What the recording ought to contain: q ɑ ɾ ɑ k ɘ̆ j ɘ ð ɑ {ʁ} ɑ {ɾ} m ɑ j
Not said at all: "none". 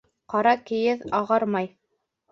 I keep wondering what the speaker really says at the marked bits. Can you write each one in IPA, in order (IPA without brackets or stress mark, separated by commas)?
ʁ, ɾ